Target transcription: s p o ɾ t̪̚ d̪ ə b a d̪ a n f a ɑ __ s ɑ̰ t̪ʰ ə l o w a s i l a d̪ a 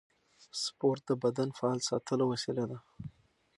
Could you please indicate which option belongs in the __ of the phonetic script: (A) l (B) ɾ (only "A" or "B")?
A